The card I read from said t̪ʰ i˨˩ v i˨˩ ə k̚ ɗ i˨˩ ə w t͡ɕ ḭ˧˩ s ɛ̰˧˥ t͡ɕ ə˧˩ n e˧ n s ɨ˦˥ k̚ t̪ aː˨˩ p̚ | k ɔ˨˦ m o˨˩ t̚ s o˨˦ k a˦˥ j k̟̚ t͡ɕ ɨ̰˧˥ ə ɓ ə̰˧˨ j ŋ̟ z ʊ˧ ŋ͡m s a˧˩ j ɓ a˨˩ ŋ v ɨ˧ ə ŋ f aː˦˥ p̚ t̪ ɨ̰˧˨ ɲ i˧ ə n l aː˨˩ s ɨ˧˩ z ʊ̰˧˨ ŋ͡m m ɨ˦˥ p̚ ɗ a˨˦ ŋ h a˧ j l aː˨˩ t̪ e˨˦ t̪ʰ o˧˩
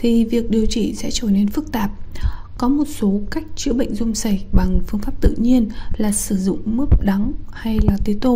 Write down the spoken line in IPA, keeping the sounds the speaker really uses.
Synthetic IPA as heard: t̪ʰ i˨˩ v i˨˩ ə k̚ ɗ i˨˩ ə w t͡ɕ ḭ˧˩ s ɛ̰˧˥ t͡ɕ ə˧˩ n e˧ n f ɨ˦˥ k̚ t̪ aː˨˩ p̚ | k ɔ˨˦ m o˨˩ t̚ s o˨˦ k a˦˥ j k̟̚ t͡ɕ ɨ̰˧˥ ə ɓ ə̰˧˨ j ŋ̟ z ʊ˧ ŋ͡m s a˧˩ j ɓ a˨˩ ŋ f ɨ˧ ə ŋ f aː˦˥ p̚ t̪ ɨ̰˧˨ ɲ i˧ ə n l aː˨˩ s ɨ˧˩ z ʊ̰˧˨ ŋ͡m m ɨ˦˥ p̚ ɗ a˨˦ ŋ h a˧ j l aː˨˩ t̪ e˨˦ t̪ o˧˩